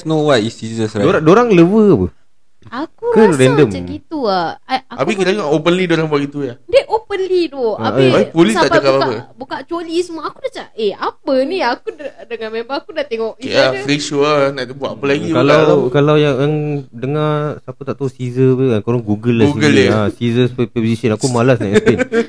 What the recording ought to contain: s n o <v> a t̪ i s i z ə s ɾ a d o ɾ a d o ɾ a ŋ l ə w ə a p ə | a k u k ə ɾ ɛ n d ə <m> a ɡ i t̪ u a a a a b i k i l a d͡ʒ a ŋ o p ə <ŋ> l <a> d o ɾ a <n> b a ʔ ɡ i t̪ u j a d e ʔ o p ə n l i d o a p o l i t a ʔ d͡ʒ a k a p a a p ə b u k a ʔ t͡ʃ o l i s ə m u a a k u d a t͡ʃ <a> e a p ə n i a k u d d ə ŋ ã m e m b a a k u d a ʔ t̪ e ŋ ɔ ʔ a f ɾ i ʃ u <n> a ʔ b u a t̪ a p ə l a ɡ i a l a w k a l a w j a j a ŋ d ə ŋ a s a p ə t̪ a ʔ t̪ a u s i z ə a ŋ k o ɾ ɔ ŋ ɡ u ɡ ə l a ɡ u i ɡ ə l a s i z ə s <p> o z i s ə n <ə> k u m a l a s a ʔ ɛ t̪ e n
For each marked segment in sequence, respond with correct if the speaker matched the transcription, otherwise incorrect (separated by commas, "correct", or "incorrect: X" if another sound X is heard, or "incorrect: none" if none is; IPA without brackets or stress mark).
incorrect: w, correct, incorrect: n, incorrect: i, incorrect: ŋ, correct, correct, correct, incorrect: a